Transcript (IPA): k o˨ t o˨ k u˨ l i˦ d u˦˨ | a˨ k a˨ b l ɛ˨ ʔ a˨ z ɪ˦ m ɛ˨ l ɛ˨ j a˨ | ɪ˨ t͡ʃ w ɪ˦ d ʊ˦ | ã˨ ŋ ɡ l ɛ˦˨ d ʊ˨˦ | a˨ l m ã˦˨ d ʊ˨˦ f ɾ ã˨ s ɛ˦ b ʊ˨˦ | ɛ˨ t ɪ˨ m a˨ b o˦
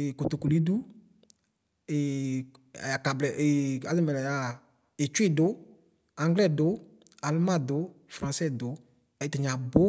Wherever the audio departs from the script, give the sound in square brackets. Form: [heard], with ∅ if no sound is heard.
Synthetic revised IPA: k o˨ t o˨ k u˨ l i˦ d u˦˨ | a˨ k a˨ b l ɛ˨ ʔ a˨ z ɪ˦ m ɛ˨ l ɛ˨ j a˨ | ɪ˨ t͡ʃ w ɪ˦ d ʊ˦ | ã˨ ŋ ɡ l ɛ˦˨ d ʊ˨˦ | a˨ l m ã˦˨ d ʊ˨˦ f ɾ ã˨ s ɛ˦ [d] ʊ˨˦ | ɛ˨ t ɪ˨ [ɲ] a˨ b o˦